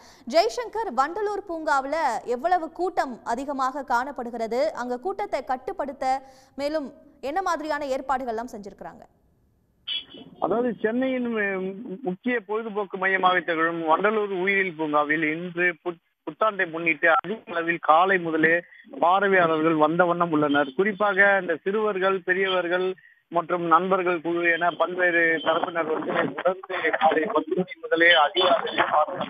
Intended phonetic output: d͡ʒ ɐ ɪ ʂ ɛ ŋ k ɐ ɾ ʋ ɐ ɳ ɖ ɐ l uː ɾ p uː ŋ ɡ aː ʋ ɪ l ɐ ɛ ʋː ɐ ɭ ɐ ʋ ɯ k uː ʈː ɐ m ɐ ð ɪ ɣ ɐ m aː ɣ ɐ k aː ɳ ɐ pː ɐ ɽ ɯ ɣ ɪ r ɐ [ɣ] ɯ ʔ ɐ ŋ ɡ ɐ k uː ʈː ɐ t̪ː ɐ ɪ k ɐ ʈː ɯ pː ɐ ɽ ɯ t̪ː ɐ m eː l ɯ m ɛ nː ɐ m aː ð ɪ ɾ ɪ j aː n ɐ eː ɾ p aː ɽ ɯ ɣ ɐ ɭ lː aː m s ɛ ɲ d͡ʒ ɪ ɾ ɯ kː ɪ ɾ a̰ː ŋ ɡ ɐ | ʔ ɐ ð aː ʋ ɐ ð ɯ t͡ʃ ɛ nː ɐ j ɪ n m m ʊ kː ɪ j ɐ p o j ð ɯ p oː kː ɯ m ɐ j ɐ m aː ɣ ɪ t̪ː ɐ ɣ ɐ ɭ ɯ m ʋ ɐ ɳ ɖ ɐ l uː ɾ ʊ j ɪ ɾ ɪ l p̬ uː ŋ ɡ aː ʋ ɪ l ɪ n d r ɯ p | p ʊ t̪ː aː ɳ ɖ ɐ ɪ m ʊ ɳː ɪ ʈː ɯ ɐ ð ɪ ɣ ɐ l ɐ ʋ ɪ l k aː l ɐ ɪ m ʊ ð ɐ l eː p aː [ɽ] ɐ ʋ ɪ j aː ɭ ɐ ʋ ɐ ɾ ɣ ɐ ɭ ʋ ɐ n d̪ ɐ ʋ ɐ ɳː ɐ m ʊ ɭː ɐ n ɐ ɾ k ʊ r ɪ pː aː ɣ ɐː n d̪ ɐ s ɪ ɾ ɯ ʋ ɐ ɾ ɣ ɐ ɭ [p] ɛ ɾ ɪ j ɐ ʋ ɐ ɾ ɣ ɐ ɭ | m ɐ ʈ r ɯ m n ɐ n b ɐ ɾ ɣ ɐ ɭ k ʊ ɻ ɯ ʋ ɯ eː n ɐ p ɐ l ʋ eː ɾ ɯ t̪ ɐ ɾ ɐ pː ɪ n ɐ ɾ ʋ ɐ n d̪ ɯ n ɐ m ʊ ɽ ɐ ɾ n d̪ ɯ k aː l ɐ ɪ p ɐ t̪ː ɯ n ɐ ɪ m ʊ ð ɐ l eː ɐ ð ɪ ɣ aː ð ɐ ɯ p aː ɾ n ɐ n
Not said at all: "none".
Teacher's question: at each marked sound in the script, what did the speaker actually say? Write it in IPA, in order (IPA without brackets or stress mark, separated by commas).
ð, ɾ, p